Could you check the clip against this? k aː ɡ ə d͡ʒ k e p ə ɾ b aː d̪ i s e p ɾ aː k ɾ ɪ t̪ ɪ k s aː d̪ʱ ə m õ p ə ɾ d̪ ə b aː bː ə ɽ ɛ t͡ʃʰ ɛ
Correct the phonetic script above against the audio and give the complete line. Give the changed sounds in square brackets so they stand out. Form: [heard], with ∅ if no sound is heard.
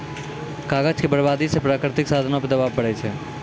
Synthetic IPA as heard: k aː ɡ ə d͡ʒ k e [b] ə ɾ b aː d̪ i s e p ɾ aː k ɾ ɪ t̪ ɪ k s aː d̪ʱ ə [n] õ p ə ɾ d̪ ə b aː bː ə ɽ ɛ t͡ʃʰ ɛ